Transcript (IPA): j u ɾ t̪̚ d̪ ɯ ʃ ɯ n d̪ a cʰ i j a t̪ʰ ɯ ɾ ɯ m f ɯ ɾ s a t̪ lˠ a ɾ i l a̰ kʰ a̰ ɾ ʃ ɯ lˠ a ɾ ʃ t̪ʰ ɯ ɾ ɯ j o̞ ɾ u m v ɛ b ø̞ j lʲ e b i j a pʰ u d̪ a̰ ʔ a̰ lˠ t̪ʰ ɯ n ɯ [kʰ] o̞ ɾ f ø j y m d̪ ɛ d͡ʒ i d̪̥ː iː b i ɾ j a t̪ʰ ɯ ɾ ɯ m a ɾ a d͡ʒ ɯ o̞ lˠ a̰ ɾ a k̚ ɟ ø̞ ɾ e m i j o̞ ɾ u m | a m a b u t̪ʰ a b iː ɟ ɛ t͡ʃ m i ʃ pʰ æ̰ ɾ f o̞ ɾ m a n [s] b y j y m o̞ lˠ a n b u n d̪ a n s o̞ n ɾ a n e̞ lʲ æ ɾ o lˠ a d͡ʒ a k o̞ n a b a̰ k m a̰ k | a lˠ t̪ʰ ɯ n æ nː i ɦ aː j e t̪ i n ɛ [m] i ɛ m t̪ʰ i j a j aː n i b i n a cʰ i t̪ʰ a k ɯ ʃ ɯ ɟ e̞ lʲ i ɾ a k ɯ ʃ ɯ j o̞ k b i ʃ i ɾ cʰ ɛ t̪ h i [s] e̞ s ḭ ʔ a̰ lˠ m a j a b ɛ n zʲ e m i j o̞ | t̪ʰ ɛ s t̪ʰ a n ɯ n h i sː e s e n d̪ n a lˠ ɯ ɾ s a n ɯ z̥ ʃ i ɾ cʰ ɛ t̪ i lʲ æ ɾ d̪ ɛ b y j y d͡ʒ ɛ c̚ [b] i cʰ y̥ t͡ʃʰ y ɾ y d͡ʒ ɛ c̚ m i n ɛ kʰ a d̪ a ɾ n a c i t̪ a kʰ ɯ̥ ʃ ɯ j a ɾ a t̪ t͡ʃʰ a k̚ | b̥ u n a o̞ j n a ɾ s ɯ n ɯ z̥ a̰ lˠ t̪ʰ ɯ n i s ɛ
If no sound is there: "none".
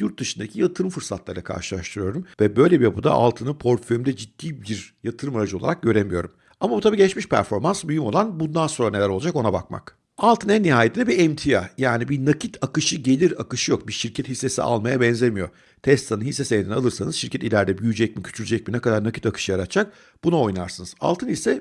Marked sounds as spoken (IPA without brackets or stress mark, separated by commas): pʰ, s, b, sː, m